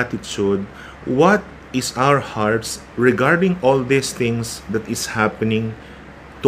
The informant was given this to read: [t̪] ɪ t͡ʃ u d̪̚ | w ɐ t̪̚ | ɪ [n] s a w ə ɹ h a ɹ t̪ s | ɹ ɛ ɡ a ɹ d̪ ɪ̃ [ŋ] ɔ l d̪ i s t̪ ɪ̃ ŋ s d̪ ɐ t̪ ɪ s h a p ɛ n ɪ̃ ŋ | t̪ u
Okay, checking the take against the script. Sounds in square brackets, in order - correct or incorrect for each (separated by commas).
correct, incorrect, correct